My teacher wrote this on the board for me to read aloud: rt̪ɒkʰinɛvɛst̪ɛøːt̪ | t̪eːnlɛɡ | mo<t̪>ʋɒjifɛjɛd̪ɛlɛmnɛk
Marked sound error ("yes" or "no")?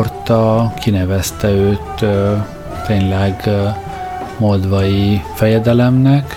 yes